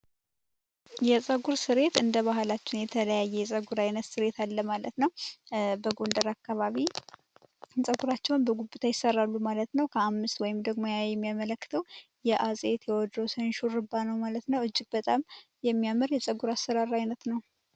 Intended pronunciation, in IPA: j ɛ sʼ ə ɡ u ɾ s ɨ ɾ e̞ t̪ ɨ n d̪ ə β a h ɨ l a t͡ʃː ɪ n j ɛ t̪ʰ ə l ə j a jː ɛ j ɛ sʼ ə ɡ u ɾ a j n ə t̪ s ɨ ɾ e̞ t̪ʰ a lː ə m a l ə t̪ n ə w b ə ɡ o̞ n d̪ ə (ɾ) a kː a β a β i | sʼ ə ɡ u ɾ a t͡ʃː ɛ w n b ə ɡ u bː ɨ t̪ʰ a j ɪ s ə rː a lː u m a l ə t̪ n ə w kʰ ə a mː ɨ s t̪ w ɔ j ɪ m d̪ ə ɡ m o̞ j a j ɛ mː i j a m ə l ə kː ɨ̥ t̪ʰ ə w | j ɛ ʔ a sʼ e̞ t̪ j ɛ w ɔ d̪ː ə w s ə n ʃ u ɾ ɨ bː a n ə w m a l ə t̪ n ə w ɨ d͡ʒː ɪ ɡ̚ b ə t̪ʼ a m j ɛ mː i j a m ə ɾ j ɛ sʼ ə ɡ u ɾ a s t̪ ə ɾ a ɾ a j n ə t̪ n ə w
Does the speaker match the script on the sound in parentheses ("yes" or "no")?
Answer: yes